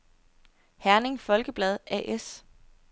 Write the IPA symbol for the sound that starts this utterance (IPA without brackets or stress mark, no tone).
h